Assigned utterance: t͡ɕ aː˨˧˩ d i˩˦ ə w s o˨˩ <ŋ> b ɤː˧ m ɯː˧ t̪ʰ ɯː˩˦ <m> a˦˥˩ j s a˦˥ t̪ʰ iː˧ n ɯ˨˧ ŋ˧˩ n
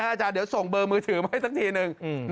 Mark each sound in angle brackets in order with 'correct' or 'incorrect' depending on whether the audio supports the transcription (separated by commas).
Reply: correct, correct